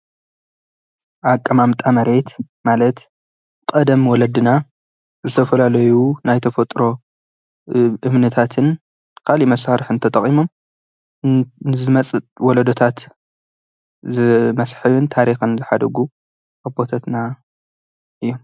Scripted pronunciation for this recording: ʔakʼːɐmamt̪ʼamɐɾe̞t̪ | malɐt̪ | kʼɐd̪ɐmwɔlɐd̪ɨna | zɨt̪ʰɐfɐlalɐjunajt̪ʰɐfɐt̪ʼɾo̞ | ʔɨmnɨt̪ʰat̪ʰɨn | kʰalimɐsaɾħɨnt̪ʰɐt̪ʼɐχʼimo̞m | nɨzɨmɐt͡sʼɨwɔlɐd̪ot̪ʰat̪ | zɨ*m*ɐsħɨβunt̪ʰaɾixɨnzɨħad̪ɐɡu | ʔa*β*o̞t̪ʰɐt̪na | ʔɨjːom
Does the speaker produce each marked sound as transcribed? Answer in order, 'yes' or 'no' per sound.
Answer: yes, no

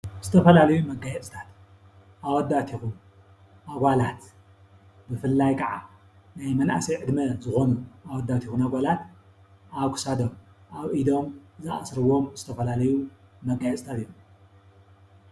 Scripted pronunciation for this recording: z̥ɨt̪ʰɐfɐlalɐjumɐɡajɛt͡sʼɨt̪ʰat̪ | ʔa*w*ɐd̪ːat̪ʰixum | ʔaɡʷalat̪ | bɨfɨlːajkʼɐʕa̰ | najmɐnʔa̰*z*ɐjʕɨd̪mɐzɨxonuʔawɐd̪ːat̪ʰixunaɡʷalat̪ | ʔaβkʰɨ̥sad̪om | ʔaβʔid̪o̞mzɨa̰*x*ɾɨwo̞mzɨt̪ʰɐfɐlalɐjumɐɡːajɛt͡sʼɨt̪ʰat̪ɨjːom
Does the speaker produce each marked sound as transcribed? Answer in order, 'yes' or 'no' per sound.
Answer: yes, no, no

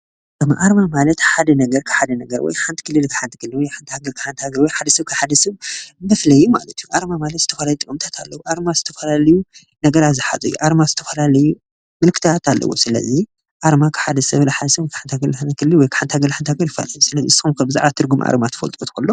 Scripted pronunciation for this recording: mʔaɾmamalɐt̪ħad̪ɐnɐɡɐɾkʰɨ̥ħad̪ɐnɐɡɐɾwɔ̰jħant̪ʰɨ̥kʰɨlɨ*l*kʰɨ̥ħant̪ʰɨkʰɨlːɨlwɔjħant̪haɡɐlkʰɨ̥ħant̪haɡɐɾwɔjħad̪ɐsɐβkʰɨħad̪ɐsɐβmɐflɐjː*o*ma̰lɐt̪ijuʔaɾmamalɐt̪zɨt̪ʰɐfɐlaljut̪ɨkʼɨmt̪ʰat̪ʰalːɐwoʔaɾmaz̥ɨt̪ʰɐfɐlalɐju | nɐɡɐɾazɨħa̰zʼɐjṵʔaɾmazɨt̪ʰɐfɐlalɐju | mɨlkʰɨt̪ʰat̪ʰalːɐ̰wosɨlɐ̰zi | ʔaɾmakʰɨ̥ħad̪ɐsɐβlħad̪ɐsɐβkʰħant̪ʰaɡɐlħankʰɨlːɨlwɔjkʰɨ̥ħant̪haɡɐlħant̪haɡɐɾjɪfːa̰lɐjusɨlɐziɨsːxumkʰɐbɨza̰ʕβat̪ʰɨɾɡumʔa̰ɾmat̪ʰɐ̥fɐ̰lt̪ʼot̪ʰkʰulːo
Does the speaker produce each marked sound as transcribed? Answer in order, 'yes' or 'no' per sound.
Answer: yes, no

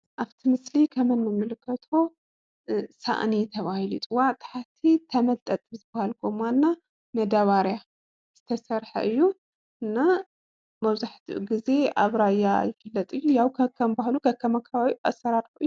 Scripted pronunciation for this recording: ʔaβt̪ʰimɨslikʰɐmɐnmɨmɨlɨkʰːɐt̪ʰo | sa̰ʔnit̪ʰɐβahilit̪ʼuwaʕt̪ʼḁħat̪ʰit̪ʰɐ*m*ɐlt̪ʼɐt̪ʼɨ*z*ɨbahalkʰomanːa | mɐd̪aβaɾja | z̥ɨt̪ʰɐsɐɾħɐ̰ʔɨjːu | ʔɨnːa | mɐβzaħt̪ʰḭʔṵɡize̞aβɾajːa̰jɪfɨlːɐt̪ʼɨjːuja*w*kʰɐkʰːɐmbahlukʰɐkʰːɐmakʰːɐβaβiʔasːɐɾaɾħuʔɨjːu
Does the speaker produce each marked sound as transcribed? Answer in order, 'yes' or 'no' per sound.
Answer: yes, yes, yes

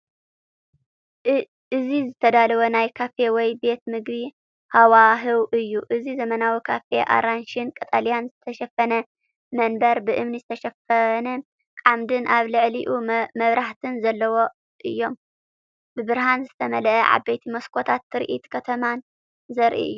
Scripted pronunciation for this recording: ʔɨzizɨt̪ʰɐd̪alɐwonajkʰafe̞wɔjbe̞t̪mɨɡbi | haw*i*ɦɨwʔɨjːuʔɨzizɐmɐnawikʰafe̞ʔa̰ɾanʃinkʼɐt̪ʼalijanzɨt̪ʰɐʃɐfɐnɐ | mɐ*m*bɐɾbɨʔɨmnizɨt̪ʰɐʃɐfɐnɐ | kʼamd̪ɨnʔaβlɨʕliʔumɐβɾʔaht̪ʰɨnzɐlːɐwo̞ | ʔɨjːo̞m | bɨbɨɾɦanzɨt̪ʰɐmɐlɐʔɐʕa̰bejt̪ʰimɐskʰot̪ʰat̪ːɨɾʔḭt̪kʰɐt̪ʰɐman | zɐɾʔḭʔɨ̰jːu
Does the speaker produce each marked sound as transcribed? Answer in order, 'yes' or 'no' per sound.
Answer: no, no

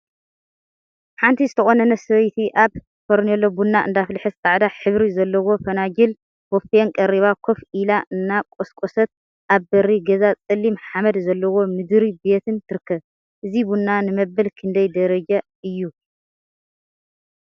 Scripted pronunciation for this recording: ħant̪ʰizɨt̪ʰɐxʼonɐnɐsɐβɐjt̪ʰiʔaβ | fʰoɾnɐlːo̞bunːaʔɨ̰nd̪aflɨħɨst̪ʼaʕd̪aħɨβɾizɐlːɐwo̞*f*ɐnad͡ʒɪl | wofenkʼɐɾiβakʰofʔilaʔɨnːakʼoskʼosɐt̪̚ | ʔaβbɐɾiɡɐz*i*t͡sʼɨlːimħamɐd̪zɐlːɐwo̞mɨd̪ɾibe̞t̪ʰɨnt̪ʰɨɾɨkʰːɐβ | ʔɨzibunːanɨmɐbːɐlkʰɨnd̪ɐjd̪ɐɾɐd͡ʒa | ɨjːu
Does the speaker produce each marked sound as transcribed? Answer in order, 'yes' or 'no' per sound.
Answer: yes, no

